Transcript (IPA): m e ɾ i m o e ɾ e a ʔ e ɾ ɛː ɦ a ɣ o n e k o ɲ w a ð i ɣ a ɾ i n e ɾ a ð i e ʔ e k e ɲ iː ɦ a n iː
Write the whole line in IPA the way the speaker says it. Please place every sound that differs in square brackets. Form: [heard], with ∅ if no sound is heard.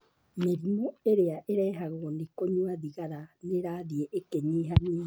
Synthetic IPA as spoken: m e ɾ i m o e ɾ e a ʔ e ɾ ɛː ɦ a ɣ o n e k o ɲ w a ð i ɣ a ɾ [a] n e ɾ a ð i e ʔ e k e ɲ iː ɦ a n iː